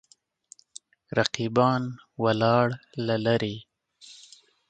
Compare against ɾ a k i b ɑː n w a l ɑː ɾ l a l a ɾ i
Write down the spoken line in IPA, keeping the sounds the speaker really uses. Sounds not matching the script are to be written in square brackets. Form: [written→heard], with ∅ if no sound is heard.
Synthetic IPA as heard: ɾ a [k→q] i b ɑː n w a l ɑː [ɾ→ɽ] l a l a ɾ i